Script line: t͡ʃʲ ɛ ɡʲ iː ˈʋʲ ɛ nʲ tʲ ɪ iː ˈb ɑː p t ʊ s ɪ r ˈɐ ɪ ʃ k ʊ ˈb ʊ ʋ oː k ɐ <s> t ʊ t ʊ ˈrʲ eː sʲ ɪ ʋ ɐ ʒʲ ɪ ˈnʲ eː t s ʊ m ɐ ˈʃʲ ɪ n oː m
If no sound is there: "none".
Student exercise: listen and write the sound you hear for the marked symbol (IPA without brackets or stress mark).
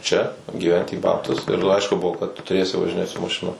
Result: t